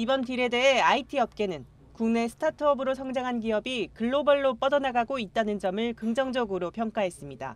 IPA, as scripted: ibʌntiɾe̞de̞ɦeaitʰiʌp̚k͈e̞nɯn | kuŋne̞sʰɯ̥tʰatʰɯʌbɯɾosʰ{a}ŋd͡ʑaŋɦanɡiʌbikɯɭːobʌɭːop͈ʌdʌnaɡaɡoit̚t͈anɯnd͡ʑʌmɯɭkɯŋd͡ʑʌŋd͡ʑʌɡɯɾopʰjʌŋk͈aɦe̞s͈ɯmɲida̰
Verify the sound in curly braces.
incorrect: ʌ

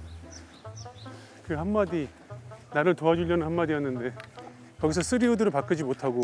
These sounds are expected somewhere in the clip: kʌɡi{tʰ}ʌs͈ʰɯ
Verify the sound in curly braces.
incorrect: sʰ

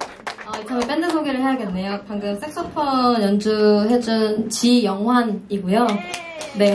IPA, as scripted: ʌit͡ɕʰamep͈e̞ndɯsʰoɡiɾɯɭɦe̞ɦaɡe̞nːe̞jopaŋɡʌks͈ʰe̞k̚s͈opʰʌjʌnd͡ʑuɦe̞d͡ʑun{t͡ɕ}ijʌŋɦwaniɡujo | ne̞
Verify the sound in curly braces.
correct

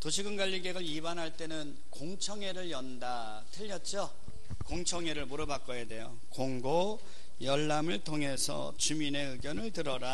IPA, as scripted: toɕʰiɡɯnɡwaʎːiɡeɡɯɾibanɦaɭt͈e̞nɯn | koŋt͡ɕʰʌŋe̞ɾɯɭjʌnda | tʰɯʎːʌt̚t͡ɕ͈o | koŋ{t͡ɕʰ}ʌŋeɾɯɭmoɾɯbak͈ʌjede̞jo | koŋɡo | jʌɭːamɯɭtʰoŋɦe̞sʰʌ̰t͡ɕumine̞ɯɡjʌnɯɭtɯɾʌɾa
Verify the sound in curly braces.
correct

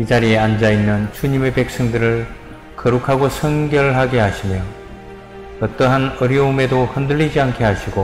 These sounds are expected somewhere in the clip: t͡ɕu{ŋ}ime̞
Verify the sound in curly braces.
incorrect: ɲ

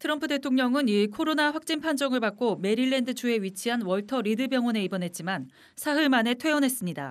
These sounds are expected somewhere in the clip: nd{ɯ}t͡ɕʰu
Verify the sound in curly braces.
correct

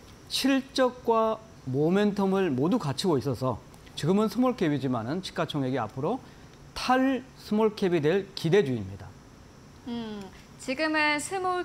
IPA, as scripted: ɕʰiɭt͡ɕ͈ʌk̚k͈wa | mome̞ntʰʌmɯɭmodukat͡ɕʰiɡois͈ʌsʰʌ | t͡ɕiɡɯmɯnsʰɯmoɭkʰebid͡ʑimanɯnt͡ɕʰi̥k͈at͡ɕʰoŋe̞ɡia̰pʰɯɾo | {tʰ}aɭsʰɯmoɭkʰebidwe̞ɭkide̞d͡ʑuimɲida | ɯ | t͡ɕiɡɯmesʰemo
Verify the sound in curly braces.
correct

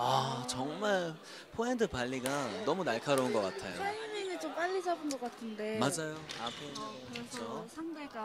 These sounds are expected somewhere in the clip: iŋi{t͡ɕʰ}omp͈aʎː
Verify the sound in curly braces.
incorrect: t͡ɕ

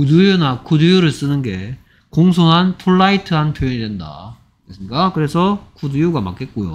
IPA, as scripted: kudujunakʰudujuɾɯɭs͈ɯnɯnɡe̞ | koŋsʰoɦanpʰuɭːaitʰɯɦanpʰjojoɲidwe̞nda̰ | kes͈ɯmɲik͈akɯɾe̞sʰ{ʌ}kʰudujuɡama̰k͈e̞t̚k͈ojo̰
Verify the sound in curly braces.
correct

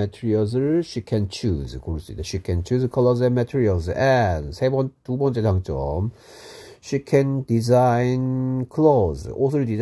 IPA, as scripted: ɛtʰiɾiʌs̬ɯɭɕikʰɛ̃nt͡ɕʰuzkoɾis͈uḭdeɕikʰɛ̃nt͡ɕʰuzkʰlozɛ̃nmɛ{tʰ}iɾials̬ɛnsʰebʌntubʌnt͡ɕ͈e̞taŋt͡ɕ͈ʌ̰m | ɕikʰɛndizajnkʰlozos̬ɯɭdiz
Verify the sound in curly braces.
correct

